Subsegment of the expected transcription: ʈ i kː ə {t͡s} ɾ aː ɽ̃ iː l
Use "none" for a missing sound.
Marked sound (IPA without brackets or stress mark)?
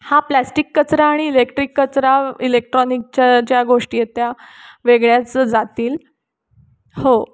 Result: t͡s